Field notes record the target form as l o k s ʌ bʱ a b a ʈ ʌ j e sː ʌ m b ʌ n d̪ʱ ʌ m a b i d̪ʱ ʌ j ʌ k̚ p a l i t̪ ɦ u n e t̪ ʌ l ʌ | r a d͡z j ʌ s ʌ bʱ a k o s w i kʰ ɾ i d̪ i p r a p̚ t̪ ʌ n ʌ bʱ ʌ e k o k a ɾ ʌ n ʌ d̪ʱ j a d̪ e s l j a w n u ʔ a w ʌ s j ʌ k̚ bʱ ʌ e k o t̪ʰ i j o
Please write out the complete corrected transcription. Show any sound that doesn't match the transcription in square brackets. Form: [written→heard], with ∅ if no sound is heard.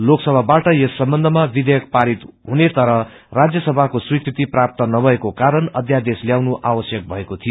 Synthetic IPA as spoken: l o k s ʌ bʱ a b a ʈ ʌ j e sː ʌ m b ʌ n d̪ʱ ʌ m a b i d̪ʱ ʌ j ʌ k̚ p a [l→ɾ] i t̪ ɦ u n e t̪ ʌ [l→ɾ] ʌ | r a d͡z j ʌ s ʌ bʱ a k o s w i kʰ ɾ i [d̪→t̪] i p r a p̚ t̪ ʌ n ʌ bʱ ʌ e k o k a ɾ ʌ n ʌ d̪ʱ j a d̪ e s l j a w n u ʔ a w ʌ s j ʌ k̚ bʱ ʌ e k o t̪ʰ i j o